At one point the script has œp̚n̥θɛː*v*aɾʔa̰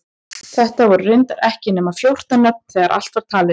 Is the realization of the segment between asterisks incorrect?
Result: yes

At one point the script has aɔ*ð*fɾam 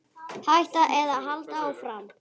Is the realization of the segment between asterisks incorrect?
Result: yes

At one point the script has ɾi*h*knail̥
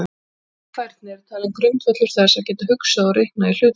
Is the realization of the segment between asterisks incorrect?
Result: no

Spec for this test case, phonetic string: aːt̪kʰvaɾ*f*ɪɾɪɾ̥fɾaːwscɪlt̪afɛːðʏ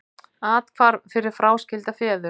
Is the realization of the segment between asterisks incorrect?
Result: no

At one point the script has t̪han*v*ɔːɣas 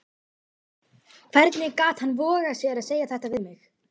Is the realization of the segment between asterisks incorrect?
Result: no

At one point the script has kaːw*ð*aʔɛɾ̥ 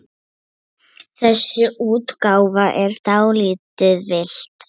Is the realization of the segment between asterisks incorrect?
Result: yes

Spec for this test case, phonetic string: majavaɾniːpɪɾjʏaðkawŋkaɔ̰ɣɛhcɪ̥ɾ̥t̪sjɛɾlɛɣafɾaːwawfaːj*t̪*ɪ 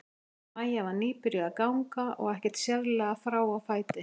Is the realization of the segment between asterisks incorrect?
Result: no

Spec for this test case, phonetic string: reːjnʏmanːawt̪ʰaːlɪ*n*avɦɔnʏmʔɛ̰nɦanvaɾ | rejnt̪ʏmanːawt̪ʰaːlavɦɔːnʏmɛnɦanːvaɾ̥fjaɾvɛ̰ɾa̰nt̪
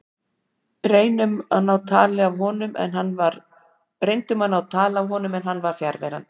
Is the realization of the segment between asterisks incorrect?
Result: yes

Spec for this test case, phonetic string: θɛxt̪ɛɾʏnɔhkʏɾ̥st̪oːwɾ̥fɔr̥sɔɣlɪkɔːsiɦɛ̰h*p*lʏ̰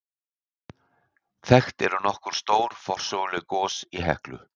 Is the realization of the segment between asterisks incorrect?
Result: yes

